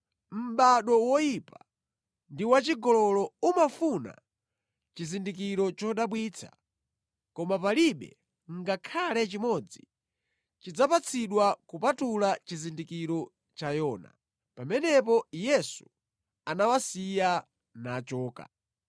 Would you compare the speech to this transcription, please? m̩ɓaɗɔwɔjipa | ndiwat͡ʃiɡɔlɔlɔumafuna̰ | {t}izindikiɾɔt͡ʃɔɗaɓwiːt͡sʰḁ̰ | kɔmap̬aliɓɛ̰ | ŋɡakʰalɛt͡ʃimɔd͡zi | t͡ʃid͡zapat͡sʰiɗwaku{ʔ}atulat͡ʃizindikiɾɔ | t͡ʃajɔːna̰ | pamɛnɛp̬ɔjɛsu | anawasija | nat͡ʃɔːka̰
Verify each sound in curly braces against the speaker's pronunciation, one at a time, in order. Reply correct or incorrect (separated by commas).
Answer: incorrect, incorrect